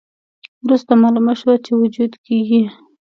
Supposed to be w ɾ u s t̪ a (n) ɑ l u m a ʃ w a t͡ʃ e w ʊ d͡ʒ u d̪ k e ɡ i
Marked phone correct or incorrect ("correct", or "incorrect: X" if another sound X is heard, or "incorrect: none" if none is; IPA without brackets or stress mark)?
incorrect: m